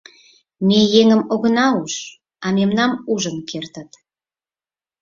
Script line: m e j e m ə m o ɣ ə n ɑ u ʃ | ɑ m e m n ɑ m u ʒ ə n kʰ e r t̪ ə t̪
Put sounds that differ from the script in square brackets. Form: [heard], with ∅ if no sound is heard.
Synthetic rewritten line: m e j e [ŋ] ə m o ɣ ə n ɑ u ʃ | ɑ m e m n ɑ m u ʒ ə n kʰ e r t̪ ə t̪